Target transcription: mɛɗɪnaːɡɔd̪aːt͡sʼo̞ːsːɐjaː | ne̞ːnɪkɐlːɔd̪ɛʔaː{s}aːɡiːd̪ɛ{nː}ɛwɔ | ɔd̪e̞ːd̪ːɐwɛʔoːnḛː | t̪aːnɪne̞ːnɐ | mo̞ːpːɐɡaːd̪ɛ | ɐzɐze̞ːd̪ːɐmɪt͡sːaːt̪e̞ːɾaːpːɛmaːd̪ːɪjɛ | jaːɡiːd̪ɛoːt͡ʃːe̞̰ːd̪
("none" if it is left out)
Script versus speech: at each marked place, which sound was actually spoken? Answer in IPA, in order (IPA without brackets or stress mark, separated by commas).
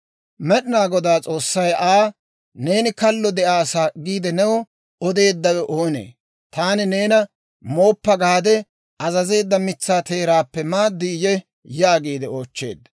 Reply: s, n